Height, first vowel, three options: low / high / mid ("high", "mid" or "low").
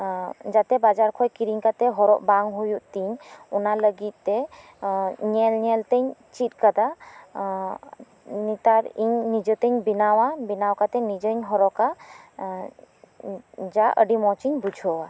low